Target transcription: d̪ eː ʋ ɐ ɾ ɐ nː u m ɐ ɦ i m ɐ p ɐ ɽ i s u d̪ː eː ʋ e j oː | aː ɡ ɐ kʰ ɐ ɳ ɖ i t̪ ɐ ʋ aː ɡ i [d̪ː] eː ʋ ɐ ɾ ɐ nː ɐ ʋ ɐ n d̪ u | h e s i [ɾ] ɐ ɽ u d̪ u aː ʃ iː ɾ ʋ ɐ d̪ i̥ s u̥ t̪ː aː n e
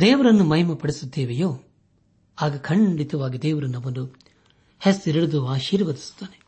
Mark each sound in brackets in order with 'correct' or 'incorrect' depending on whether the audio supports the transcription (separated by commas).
incorrect, correct